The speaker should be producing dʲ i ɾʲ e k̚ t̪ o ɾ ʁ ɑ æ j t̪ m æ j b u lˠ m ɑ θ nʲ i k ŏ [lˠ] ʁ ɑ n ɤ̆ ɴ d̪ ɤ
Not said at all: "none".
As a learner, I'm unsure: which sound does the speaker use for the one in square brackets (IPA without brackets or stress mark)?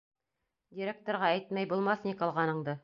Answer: lˠ